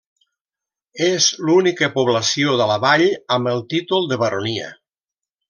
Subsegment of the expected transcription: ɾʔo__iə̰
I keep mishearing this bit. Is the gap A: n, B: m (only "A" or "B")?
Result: A